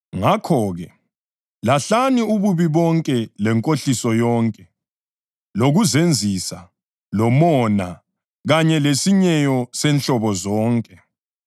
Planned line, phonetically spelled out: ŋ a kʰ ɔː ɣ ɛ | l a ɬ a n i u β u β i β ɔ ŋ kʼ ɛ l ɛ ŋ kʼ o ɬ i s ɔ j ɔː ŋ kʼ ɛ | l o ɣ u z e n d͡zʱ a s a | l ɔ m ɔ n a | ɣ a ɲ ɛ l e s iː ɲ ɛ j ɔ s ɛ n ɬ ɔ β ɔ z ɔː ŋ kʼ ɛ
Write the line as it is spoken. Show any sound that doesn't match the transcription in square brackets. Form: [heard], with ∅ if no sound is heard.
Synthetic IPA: ŋ a kʰ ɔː ɣ ɛ | l a ɬ a n i u β u β i β ɔ ŋ kʼ ɛ l ɛ ŋ kʼ o ɬ i s ɔ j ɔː ŋ kʼ ɛ | l o ɣ u z e n d͡zʱ [i] s a | l ɔ m ɔ n a | ɣ a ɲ ɛ l e s [i] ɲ ɛ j ɔ s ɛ n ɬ ɔ β ɔ z ɔː ŋ kʼ ɛ